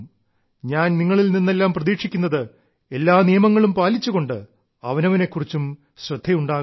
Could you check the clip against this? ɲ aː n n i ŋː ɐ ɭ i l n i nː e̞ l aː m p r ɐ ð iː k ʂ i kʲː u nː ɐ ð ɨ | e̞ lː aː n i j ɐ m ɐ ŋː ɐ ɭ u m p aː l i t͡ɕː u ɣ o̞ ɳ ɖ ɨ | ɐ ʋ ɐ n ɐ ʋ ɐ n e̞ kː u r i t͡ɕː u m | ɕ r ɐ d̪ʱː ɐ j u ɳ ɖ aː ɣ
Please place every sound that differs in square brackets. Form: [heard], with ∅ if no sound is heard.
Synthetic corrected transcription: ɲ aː n n i ŋː ɐ ɭ i l n i nː e̞ [lː] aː m p r ɐ ð iː k ʂ i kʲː u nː ɐ ð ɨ | e̞ lː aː n i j ɐ m ɐ ŋː ɐ ɭ u m p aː l i t͡ɕː u ɣ o̞ ɳ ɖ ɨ | ɐ ʋ ɐ n ɐ ʋ ɐ n e̞ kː u r i t͡ɕː u m | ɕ r ɐ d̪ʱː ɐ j u ɳ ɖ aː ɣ

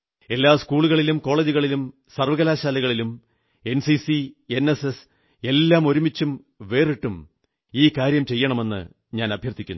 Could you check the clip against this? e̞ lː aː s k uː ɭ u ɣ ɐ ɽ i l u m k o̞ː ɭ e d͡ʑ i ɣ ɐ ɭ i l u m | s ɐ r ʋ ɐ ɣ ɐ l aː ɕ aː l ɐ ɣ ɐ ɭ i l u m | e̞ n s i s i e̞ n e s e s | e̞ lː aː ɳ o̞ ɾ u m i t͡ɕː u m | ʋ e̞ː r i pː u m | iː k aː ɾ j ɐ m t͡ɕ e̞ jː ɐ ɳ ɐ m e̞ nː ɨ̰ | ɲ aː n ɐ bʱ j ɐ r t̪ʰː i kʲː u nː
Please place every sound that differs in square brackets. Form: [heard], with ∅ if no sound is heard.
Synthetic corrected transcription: e̞ lː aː s k uː ɭ u ɣ ɐ [ɭ] i l u m k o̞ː ɭ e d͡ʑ i ɣ ɐ ɭ i l u m | s ɐ r ʋ ɐ ɣ ɐ l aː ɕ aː l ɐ ɣ ɐ ɭ i l u m | e̞ n s i s i e̞ n e s e s | e̞ lː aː [m] o̞ ɾ u m i t͡ɕː u m | ʋ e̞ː r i [ʈː] u m | iː k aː ɾ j ɐ m t͡ɕ e̞ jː ɐ ɳ ɐ m e̞ nː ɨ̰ | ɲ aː n ɐ bʱ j ɐ r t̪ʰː i kʲː u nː

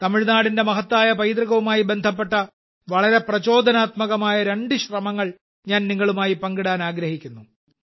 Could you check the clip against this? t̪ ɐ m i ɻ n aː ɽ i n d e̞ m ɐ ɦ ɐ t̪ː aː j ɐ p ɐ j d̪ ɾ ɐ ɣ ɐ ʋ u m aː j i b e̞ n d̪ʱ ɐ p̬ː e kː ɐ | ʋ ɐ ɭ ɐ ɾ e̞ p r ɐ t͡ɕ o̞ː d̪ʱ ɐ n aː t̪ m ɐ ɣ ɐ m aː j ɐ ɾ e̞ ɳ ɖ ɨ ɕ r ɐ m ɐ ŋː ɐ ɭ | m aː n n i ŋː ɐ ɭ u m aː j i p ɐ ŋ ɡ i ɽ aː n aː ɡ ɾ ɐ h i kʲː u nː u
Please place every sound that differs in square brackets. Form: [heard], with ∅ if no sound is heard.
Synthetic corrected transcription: t̪ ɐ m i ɻ n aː ɽ i n d e̞ m ɐ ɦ ɐ t̪ː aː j ɐ p ɐ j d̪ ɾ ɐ ɣ ɐ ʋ u m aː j i b e̞ n d̪ʱ ɐ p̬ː e [ʈː] ɐ | ʋ ɐ ɭ ɐ ɾ e̞ p r ɐ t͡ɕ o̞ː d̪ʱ ɐ n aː t̪ m ɐ ɣ ɐ m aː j ɐ ɾ e̞ ɳ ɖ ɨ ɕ r ɐ m ɐ ŋː ɐ ɭ | [ɲ] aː n n i ŋː ɐ ɭ u m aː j i p ɐ ŋ ɡ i ɽ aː n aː ɡ ɾ ɐ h i kʲː u nː u

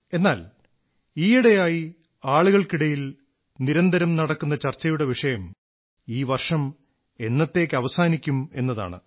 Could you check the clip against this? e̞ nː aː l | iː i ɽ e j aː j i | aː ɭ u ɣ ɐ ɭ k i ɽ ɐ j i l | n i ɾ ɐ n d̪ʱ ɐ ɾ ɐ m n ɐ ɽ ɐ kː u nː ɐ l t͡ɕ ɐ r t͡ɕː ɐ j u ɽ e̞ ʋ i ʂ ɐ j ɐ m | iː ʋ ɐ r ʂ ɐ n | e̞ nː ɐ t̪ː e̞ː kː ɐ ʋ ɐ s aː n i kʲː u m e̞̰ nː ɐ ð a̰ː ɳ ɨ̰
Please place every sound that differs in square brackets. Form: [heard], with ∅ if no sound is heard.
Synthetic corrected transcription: e̞ nː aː l | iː i ɽ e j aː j i | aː ɭ u ɣ ɐ ɭ k i ɽ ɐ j i l | n i ɾ ɐ n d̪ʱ ɐ ɾ ɐ m n ɐ ɽ ɐ kː u nː ɐ [∅] t͡ɕ ɐ r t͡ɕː ɐ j u ɽ e̞ ʋ i ʂ ɐ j ɐ m | iː ʋ ɐ r ʂ ɐ [m] | e̞ nː ɐ t̪ː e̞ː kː ɐ ʋ ɐ s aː n i kʲː u m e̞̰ nː ɐ ð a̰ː ɳ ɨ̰

